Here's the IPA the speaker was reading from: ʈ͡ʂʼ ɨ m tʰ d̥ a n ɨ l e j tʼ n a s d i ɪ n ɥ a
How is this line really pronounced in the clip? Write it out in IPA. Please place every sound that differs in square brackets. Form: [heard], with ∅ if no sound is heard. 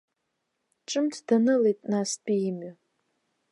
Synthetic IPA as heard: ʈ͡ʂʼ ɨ m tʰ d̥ a n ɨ l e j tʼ n a s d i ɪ [m] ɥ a